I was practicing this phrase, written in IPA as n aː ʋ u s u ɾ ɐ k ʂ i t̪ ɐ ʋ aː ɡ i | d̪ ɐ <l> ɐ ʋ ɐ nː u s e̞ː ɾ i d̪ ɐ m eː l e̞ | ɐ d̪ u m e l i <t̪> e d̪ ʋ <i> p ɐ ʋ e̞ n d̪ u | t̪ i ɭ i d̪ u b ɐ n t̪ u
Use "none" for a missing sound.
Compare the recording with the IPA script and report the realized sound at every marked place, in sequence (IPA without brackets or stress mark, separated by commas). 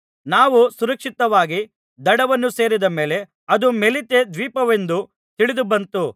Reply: ɽ, t̪, iː